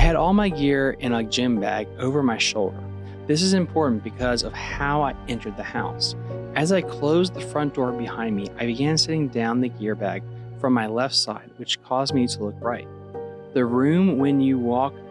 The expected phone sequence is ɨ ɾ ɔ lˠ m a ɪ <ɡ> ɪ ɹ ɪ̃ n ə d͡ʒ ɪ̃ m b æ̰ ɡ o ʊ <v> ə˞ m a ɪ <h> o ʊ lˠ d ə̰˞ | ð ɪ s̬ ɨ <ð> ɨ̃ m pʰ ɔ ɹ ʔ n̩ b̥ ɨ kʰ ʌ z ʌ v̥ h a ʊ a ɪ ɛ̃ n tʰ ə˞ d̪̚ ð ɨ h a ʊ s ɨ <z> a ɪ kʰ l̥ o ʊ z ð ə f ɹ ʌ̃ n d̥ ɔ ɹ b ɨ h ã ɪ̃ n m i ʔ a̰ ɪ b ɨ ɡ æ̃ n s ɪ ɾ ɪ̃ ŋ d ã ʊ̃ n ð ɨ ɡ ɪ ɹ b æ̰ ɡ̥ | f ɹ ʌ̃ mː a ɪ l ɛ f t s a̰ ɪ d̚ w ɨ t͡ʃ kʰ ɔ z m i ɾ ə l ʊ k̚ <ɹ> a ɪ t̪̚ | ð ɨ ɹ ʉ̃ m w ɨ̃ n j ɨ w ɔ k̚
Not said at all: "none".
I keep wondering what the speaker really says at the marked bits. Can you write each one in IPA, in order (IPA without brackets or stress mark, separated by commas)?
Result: ɡ, v, ʃ, z, z, ɹ